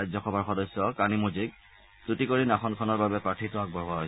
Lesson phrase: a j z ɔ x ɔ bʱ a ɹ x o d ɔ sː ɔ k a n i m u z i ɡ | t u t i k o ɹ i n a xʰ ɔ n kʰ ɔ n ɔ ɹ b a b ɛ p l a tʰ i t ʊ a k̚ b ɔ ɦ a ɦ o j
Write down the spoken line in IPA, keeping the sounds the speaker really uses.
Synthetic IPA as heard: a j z ɔ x ɔ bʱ a ɹ x ɔ d ɔ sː ɔ k a n i m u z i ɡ | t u t i k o ɹ i n a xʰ ɔ n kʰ ɔ n ɔ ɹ b a b ɛ p ɹ a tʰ i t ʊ a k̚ b ɔ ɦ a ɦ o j